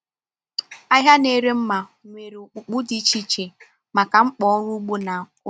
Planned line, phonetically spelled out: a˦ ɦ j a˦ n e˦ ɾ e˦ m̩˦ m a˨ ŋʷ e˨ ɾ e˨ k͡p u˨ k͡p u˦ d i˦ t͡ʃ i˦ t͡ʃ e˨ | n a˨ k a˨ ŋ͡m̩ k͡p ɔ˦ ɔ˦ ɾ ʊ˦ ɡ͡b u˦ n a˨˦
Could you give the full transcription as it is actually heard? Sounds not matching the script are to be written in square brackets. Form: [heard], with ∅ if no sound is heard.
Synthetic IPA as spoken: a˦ ɦ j a˦ n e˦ ɾ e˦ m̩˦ m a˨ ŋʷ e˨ ɾ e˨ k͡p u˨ k͡p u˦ d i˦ t͡ʃ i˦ t͡ʃ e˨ | [m] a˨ k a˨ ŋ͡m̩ k͡p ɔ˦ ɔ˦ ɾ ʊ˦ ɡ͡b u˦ n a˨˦